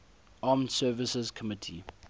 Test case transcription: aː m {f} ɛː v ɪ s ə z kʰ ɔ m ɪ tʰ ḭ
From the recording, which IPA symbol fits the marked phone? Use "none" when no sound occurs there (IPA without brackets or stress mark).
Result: s